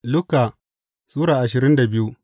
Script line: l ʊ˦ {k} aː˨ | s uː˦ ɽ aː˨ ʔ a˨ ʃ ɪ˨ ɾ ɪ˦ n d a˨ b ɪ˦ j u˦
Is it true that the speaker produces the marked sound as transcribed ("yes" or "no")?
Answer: yes